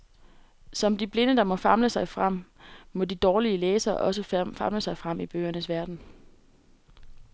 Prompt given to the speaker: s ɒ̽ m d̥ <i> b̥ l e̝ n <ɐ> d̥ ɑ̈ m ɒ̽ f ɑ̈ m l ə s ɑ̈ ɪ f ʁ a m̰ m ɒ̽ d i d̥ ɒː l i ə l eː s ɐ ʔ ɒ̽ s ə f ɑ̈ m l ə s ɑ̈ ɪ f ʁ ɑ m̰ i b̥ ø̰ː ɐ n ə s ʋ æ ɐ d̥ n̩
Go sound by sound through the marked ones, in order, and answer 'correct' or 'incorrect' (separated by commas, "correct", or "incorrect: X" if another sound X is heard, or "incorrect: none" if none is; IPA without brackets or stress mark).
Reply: correct, incorrect: ə